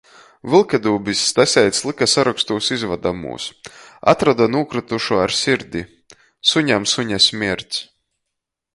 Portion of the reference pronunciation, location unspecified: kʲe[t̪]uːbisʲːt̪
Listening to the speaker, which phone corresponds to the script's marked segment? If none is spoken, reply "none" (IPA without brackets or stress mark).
d̪